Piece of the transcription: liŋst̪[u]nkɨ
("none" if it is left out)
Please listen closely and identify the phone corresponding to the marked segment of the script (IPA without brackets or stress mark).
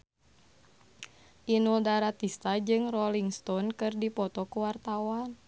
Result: ɔ